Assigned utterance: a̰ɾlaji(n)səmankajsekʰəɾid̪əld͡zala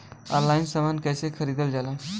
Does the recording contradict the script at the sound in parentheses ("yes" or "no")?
no